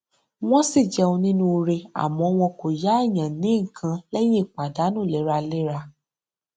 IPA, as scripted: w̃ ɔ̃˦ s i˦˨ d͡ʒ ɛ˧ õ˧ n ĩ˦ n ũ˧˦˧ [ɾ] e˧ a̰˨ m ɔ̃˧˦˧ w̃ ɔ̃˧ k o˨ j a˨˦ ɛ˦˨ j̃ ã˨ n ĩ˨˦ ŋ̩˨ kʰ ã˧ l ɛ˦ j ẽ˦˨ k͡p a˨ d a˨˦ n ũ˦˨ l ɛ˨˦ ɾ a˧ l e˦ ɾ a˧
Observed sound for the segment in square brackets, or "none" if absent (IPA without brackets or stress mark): ɾ